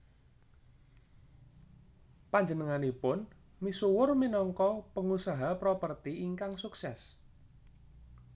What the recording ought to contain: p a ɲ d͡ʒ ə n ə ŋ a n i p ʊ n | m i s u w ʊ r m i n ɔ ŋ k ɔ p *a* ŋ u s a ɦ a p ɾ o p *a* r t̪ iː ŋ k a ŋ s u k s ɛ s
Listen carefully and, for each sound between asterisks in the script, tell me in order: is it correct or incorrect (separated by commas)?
incorrect, incorrect